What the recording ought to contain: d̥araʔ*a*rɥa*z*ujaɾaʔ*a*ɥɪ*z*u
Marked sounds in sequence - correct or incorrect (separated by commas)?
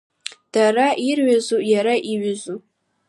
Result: incorrect, correct, incorrect, correct